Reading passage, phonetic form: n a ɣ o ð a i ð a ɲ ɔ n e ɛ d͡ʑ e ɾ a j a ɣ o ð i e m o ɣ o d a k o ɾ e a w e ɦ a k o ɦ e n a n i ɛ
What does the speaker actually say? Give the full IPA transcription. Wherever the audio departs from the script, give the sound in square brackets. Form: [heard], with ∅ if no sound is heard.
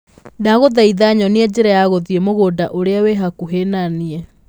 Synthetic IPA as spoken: n a ɣ o ð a i ð a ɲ ɔ n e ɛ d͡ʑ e ɾ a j a ɣ o ð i e m o ɣ o d a [ʔ] o ɾ e a w e ɦ a k [u] ɦ e n a n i ɛ